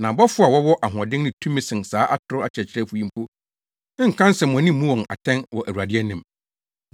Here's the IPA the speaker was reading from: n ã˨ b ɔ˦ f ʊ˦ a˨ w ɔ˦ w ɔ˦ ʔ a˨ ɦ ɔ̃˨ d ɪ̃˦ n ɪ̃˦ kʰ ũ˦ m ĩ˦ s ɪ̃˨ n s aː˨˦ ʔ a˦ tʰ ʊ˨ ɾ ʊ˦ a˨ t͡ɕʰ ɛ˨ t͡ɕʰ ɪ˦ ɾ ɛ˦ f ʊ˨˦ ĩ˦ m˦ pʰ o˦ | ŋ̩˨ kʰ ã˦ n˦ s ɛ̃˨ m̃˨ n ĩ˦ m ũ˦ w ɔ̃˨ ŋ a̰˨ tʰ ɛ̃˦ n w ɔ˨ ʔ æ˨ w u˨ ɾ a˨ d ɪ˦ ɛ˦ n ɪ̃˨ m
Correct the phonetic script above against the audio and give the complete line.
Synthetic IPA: n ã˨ b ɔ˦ f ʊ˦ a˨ w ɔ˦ w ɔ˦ ʔ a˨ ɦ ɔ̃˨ d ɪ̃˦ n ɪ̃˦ tʰ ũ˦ m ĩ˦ s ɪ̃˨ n s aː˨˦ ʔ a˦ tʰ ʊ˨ ɾ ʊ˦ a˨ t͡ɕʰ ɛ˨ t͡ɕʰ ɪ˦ ɾ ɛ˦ f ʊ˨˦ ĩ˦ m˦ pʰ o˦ | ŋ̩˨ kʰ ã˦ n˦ s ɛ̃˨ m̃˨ n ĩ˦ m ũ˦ w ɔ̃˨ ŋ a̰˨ tʰ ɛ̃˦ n w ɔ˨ ʔ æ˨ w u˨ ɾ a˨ d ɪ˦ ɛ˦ n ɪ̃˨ m